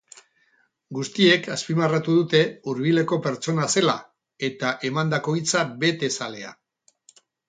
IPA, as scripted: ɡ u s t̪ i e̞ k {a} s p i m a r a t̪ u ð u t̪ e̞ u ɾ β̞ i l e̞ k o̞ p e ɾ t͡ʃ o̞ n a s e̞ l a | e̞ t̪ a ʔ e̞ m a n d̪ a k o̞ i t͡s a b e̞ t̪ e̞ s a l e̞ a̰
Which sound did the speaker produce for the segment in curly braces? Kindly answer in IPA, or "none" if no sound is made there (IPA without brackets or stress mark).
a